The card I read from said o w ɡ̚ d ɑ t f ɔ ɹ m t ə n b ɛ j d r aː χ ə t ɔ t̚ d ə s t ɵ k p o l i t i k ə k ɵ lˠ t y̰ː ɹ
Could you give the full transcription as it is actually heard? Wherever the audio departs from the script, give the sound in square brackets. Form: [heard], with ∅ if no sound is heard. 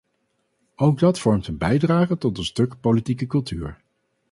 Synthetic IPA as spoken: o w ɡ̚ d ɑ t f ɔ ɹ m t ə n b ɛ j d r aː χ ə t ɔ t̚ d ə s t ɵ k p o l i t i k ə k ɵ lˠ t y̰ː ɹ